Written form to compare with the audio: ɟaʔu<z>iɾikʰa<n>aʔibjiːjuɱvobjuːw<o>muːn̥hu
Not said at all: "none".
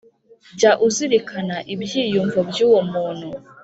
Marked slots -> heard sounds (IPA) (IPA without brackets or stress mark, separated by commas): z, n, o